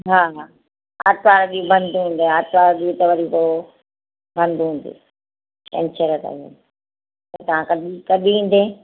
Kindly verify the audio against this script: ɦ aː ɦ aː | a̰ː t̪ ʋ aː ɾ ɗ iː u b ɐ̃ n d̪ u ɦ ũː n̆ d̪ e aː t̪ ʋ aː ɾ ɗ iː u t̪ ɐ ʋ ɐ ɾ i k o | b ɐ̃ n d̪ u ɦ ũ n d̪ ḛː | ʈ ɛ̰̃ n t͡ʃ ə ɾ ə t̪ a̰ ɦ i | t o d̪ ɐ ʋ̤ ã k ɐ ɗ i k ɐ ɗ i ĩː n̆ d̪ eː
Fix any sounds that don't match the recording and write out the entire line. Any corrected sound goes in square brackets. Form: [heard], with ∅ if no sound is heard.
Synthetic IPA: ɦ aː ɦ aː | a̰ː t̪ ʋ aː ɾ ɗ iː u b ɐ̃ n d̪ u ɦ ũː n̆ d̪ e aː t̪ ʋ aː ɾ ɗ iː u t̪ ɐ ʋ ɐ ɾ i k o | b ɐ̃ n d̪ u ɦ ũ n d̪ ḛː | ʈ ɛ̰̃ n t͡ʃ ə ɾ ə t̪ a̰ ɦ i | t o [t̪] ɐ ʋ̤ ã k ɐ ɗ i k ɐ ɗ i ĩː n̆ d̪ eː